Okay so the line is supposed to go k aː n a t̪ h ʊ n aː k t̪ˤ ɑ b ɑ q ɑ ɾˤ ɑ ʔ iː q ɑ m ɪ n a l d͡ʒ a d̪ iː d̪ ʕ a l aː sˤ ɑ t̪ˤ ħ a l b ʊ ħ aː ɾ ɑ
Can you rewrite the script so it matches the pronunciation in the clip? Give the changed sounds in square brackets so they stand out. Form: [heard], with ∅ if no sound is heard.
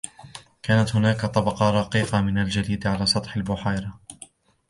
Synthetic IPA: k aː n a t̪ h ʊ n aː k t̪ˤ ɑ b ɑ q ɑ ɾˤ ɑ [q] iː q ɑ m ɪ n a l d͡ʒ a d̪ iː d̪ ʕ a l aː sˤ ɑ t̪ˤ ħ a l b ʊ ħ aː ɾ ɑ